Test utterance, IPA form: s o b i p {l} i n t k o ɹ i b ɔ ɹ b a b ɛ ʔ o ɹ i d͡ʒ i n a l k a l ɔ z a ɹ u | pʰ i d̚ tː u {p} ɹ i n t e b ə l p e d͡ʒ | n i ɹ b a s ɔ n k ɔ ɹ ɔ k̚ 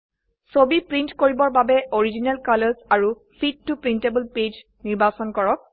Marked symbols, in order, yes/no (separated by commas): no, yes